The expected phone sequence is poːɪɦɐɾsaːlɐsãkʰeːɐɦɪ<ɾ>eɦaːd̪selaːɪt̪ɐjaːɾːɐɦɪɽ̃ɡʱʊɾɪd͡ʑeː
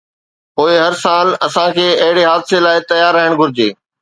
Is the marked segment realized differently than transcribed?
yes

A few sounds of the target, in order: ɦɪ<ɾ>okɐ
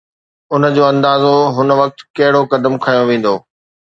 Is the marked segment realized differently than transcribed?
yes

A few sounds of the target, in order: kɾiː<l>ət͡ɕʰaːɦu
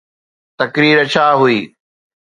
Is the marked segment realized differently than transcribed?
yes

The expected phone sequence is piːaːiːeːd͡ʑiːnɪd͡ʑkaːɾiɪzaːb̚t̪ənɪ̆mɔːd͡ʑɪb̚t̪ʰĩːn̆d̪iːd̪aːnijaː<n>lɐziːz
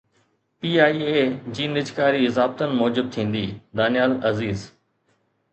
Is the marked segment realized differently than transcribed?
yes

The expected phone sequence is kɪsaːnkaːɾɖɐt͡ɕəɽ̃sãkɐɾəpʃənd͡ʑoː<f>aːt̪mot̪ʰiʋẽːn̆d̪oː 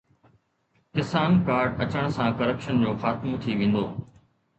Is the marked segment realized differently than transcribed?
yes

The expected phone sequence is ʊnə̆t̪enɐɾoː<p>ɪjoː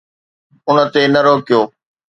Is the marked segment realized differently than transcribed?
yes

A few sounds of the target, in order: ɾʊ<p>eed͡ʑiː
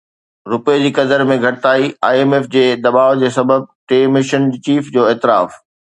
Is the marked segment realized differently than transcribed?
no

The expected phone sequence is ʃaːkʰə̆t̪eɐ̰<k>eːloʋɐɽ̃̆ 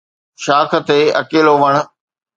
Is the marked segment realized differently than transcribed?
no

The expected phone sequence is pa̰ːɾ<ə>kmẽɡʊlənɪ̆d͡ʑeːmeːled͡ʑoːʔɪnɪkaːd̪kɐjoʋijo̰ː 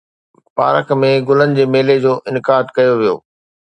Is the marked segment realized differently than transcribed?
no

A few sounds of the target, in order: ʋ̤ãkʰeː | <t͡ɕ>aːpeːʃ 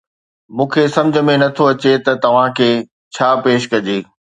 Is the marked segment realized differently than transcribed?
yes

